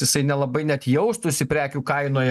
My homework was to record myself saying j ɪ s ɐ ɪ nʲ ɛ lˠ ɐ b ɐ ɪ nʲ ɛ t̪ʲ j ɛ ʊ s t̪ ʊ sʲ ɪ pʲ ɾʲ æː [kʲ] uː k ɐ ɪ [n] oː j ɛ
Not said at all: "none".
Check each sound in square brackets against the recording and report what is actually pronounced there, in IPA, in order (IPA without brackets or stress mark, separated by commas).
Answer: kʲ, n